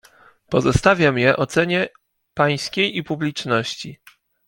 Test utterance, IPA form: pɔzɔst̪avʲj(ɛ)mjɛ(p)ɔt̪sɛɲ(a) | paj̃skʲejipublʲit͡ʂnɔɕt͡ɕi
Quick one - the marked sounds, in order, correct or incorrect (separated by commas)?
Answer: incorrect, incorrect, incorrect